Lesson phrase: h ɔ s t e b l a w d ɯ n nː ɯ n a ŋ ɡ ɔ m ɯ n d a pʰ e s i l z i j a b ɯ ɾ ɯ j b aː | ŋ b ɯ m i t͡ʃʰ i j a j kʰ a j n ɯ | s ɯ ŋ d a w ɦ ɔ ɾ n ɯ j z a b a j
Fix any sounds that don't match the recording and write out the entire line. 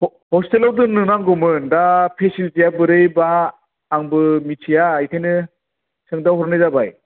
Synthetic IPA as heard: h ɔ s t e l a w d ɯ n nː ɯ n a ŋ ɡ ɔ m ɯ n d a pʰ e s i l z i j a b ɯ ɾ ɯ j b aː | ŋ b ɯ m i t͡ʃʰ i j a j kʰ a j n ɯ | s ɯ ŋ d a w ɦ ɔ ɾ n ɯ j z a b a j